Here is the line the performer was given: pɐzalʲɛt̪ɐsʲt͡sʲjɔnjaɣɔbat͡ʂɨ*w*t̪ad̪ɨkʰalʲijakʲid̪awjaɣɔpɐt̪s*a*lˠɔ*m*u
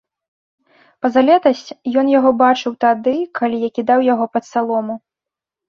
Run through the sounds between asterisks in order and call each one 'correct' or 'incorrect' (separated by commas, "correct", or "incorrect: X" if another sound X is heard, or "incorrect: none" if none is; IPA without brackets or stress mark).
correct, correct, correct